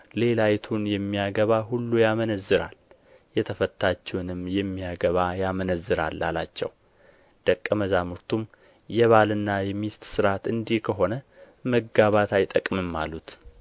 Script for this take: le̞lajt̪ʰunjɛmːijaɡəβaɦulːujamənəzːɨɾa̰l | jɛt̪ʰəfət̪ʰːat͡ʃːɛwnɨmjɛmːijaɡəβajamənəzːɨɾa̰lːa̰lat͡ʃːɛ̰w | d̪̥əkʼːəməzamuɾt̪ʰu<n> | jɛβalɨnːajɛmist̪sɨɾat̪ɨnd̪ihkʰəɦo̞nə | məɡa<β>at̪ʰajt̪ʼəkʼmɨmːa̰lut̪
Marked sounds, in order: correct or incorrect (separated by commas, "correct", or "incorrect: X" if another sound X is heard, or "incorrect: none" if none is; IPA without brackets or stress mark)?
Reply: incorrect: m, correct